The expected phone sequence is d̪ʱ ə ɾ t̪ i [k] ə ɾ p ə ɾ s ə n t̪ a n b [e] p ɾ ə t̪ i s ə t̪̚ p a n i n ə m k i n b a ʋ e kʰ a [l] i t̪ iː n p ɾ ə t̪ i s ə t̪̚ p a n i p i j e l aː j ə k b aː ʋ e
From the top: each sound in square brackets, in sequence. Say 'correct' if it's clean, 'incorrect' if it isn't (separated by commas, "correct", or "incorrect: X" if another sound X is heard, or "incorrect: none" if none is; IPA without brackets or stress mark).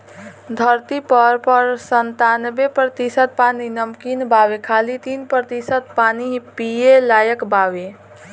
incorrect: p, correct, correct